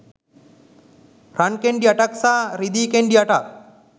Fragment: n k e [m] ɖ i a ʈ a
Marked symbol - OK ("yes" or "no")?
no